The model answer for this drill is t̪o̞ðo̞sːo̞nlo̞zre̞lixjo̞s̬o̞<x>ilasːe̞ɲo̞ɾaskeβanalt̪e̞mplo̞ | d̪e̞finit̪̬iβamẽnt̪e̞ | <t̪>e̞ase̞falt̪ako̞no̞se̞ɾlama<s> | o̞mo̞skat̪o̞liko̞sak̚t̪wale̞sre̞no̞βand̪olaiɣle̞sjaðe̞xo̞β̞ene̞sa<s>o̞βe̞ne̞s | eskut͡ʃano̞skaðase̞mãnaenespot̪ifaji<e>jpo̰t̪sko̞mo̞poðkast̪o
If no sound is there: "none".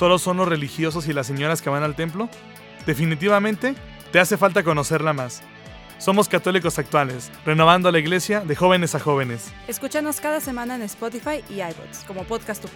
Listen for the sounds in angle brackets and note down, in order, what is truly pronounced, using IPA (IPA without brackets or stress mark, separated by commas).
s, t̪, sː, x, a